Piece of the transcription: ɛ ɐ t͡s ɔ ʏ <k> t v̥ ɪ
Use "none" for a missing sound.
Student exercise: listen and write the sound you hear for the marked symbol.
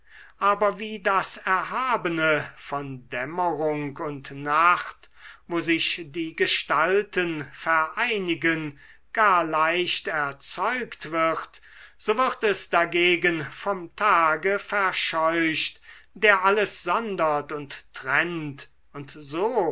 k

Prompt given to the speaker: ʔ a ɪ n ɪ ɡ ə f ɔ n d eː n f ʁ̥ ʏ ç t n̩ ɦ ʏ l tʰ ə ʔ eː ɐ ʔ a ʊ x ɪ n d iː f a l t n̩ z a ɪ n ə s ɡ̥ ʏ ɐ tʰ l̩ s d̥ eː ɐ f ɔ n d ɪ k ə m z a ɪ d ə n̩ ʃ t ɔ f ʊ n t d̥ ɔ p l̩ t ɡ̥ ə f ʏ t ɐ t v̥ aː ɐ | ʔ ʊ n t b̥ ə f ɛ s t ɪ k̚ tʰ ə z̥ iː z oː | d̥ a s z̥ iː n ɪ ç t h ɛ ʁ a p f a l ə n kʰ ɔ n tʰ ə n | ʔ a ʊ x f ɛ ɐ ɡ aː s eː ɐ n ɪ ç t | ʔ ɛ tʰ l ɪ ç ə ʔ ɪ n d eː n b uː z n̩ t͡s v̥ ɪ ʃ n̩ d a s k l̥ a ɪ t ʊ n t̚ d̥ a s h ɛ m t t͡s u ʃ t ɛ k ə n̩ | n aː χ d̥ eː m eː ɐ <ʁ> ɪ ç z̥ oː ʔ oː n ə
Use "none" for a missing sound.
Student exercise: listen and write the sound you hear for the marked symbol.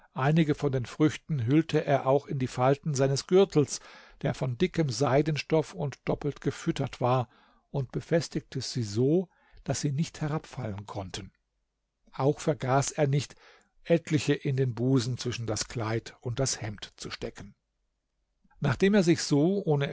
z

